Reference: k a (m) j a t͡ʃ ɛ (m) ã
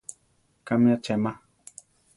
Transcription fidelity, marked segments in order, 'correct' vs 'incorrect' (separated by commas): correct, correct